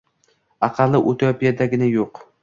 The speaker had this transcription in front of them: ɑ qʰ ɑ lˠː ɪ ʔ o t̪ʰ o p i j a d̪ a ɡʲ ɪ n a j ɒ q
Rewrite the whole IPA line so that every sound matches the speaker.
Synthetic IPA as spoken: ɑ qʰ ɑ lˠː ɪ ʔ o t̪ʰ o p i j a d̪ a ɡʲ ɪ n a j o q